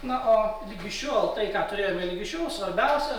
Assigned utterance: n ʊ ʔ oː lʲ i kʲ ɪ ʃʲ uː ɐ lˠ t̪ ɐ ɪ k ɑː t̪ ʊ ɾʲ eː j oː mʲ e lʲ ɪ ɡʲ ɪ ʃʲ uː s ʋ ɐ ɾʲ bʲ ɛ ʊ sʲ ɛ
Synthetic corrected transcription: n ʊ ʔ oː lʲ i ɡʲ ɪ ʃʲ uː ɐ lˠ t̪ ɐ ɪ k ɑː t̪ ʊ ɾʲ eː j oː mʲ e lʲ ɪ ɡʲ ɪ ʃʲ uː s ʋ ɐ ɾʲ bʲ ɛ ʊ sʲ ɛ

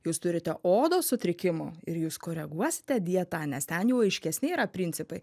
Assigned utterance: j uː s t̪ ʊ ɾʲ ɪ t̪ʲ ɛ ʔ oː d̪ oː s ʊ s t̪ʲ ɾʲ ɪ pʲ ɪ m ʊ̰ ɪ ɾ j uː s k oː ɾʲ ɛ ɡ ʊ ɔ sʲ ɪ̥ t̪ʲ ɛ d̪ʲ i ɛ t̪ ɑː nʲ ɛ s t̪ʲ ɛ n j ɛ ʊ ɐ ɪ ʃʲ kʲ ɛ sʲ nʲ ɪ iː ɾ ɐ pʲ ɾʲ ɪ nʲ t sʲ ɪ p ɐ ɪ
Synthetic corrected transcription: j uː s t̪ ʊ ɾʲ ɪ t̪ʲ ɛ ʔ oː d̪ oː s ʊ t̪ʲ ɾʲ ɪ kʲ ɪ m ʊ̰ ɪ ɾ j uː s k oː ɾʲ ɛ ɡ u ɔ sʲ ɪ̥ t̪ʲ ɛ d̪ʲ i ɛ t̪ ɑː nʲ ɛ s t̪ʲ ɛ n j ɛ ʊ ɐ ɪ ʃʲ kʲ ɛ sʲ nʲ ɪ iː ɾ ɐ pʲ ɾʲ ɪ nʲ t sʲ ɪ p ɐ ɪ

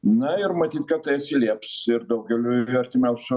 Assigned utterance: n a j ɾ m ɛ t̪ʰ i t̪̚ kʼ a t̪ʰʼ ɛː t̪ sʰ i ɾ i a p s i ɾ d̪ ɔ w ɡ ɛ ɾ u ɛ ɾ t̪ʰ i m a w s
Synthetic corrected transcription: n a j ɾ m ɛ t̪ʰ i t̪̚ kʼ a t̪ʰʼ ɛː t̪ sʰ i l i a p s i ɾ d̪ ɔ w ɡ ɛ l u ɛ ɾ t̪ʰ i m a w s

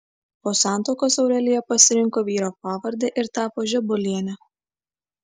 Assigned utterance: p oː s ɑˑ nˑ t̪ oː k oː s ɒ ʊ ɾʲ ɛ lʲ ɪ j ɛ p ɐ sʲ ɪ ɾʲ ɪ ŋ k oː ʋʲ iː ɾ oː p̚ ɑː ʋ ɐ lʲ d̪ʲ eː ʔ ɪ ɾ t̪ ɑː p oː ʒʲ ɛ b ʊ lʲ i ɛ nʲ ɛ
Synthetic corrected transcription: p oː s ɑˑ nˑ t̪ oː k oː s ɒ ʊ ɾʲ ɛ lʲ ɪ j ɛ p ɐ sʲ ɪ ɾʲ ɪ ŋ k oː ʋʲ iː ɾ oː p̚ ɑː ʋ ɐ ɾʲ d̪ʲ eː ʔ ɪ ɾ t̪ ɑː p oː ʒʲ ɛ b ʊ lʲ i ɛ nʲ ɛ

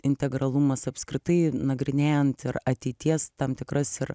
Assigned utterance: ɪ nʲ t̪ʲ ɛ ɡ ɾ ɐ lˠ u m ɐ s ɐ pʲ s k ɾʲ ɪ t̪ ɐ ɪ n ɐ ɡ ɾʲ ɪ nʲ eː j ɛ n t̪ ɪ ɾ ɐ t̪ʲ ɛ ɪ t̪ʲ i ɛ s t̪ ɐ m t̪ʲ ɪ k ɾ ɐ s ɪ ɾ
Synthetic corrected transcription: ɪ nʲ t̪ʲ ɛ ɡ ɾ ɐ lˠ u m ɐ s ɐ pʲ s k ɾʲ ɪ t̪ ɐ ɪ n ɐ ɡ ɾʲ ɪ nʲ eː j ɛ n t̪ ɪ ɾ ɐ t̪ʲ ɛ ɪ t̪ʲ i ɛ s t̪ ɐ m t̪ʲ ɪ k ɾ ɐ s ɪ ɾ

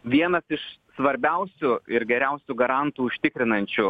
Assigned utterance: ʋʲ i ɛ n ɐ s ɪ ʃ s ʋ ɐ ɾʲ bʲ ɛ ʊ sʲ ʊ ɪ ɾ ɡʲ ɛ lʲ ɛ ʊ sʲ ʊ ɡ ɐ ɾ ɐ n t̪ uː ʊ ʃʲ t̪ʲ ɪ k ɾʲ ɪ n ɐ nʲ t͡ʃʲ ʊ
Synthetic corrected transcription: ʋʲ i ɛ n ɐ s ɪ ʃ s ʋ ɐ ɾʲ bʲ ɛ ʊ sʲ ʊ ɪ ɾ ɡʲ ɛ ɾʲ ɛ ʊ sʲ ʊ ɡ ɐ ɾ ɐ n t̪ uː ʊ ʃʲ t̪ʲ ɪ k ɾʲ ɪ n ɐ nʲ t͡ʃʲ ʊ

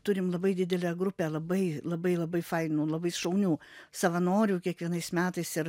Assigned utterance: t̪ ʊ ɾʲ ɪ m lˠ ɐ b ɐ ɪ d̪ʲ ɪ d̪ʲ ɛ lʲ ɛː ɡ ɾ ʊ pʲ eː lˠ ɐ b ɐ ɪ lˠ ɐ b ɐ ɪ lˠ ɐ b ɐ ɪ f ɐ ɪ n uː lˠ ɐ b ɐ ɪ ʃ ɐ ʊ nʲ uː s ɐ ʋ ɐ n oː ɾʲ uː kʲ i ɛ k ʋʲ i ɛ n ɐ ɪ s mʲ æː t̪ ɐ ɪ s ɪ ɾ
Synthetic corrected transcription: t̪ ʊ ɾʲ ɪ m lˠ ɐ b ɐ ɪ d̪ʲ ɪ d̪ʲ ɛ lʲ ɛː ɡ ɾ ʊ pʲ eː lˠ ɐ b ɐ ɪ lˠ ɐ b ɐ ɪ lˠ ɐ b ɐ ɪ f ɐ ɪ n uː lˠ ɐ b ɐ ɪ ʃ ɐ ʊ nʲ uː s ɐ ʋ ɐ n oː ɾʲ uː kʲ i ɛ k ʋʲ i ɛ n ɐ ɪ s mʲ æː t̪ ɐ ɪ s ɪ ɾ

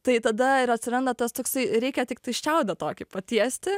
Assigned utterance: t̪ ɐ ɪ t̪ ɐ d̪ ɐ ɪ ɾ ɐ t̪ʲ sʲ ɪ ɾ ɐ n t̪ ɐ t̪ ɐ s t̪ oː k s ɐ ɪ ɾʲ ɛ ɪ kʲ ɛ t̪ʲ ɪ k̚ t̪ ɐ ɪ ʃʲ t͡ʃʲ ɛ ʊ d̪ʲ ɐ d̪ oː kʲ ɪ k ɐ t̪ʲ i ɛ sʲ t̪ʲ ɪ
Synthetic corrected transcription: t̪ ɐ ɪ t̪ ɐ d̪ ɐ ɪ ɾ ɐ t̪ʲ sʲ ɪ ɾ ɐ n d̪ ɐ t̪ ɐ s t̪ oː k s ɐ ɪ ɾʲ ɛ ɪ kʲ ɛ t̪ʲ ɪ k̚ t̪ ɐ ɪ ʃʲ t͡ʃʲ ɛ ʊ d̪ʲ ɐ t̪ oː kʲ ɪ p ɐ t̪ʲ i ɛ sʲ t̪ʲ ɪ

